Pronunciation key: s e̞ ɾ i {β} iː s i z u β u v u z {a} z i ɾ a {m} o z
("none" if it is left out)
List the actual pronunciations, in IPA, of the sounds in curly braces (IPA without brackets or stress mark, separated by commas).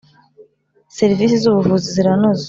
v, i, n